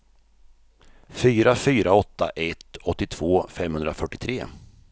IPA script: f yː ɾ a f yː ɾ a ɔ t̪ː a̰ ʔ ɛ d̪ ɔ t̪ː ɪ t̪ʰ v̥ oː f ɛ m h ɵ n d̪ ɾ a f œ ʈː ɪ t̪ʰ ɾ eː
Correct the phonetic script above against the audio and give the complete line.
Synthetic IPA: f yː ɾ a f yː ɾ a ɔ t̪ː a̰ ʔ ɛ t̪ ɔ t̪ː ɪ t̪ʰ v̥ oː f ɛ m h ɵ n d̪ ɾ a f œ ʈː ɪ t̪ʰ ɾ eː